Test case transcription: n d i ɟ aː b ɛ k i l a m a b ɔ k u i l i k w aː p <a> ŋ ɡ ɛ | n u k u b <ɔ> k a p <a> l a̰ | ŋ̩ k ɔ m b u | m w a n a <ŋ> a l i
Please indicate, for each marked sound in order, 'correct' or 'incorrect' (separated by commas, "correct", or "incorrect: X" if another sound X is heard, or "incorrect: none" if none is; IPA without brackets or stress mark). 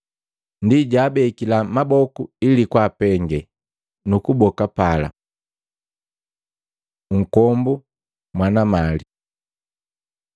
incorrect: ɛ, correct, correct, incorrect: m